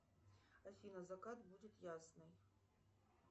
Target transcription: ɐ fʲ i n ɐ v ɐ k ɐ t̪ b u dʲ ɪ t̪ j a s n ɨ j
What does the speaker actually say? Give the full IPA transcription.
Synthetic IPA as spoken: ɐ fʲ i n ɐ z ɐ k a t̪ b u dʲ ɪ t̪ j a s n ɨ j